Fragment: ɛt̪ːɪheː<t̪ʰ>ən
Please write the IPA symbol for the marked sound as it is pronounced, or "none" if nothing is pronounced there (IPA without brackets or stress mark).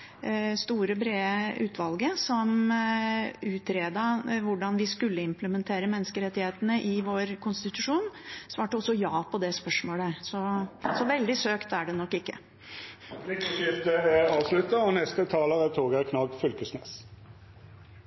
t̪